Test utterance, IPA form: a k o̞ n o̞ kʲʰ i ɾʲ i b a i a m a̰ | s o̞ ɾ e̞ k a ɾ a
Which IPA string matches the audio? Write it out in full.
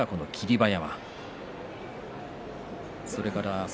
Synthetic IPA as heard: a k o̞ n o̞ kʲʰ i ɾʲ i b a j a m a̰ | s o̞ ɾ e̞ k a ɾ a